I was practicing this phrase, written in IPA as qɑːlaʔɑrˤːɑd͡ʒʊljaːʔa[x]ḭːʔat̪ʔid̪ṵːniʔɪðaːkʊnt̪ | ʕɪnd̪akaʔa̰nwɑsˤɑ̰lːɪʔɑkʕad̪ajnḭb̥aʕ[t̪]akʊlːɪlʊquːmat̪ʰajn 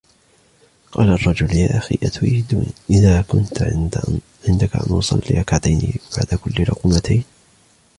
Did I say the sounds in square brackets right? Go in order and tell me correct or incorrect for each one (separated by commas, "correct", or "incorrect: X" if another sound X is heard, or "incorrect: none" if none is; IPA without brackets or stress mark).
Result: correct, incorrect: d̪